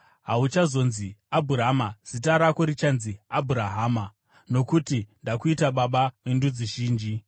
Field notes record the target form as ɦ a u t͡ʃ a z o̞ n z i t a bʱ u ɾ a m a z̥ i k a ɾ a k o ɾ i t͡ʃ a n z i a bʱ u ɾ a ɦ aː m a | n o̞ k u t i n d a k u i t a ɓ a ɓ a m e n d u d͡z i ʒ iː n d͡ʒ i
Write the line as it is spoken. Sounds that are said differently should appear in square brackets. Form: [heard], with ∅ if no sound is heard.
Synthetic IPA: ɦ a u t͡ʃ a z o̞ n z i [∅] a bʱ u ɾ a m a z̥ i [t] a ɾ a k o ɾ i t͡ʃ a n z i a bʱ u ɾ a ɦ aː m a | n o̞ k u t i n d a k u i t a ɓ a ɓ a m e n d u d͡z i ʒ iː n d͡ʒ i